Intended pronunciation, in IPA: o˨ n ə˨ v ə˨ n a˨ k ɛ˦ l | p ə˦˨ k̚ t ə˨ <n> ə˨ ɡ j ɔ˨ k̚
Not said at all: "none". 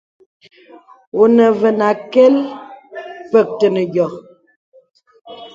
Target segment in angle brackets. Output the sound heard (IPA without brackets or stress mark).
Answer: n